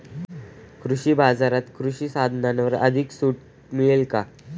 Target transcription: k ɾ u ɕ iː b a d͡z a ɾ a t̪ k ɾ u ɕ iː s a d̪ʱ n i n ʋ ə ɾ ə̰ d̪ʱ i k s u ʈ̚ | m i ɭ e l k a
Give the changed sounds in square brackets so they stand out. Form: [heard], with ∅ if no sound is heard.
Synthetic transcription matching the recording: k ɾ u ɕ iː b a d͡z a ɾ a t̪ k ɾ u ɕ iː s a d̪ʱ n [a] n ʋ ə ɾ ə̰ d̪ʱ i k s u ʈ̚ | m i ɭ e l k a